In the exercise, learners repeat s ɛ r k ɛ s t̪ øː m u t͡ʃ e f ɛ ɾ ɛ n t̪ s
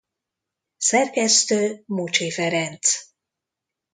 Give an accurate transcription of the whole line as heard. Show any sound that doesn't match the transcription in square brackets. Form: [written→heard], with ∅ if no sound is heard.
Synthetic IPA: s ɛ r k ɛ s t̪ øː m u t͡ʃ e f ɛ ɾ ɛ n t̪ s